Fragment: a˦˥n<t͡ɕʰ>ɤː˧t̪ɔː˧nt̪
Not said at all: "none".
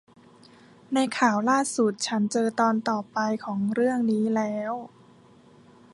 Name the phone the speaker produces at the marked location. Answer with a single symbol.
t͡ɕ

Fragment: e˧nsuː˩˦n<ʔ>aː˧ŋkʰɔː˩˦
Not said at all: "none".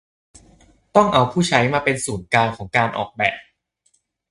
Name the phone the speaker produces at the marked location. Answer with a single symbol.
k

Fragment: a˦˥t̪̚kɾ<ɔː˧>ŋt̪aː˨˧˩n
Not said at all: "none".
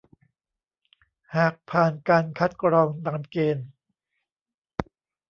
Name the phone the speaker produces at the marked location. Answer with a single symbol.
ɔː˧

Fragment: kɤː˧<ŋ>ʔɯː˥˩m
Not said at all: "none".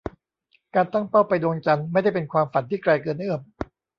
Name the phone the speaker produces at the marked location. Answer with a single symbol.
n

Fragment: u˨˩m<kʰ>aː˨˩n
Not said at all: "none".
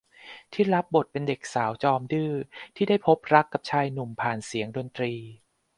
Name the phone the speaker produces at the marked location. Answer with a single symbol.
pʰ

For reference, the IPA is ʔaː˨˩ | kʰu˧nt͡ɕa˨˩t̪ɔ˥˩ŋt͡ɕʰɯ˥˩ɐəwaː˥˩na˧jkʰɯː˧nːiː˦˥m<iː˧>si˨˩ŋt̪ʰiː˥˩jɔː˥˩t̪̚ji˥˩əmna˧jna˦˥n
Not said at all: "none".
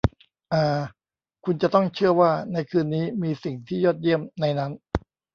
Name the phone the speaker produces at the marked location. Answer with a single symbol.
iː˧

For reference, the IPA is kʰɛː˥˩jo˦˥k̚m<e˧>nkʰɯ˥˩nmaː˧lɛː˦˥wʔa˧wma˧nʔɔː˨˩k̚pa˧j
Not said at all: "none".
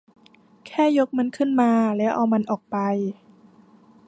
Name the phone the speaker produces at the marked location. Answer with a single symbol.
a˧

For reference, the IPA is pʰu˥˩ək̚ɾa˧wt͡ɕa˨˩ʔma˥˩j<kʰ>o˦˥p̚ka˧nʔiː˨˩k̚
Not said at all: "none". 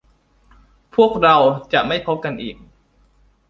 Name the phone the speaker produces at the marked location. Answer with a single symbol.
pʰ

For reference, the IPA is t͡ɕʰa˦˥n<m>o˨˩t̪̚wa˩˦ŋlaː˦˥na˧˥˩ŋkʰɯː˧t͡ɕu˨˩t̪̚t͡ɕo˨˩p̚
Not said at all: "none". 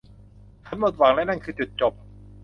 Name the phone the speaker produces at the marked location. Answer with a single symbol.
m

